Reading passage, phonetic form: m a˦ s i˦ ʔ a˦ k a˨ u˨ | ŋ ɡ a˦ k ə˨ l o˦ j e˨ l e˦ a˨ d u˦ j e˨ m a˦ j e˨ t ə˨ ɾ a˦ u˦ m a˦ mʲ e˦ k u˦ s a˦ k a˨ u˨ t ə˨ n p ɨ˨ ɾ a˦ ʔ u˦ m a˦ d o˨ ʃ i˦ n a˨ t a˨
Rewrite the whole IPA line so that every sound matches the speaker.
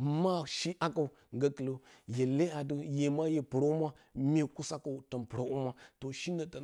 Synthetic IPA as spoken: m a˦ ʃ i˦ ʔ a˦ k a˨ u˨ | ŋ ɡ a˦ k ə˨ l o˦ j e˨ l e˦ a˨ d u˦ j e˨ m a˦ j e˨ p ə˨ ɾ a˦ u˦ m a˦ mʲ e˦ k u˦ s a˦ k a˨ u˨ t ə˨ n p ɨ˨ ɾ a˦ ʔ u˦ m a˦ t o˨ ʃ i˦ n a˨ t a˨